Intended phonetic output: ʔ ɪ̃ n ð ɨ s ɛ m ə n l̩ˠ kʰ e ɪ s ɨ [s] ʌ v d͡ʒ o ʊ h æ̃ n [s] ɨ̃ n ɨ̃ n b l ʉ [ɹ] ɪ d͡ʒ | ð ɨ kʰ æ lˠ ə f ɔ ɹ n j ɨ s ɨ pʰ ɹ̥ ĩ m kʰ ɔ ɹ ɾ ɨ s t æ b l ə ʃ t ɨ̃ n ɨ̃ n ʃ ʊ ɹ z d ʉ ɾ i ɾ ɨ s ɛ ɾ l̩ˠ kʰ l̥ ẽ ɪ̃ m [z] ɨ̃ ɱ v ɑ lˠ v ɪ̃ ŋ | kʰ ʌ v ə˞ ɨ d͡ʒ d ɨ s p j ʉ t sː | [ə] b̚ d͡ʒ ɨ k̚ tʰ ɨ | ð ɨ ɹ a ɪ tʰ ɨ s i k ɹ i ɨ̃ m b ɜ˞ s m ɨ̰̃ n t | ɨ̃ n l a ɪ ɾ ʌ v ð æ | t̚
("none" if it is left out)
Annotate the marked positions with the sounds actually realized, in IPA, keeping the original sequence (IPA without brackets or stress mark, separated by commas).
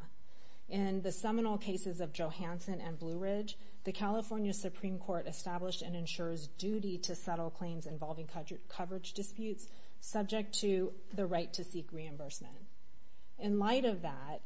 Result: z, s, ɹ, z, ʌ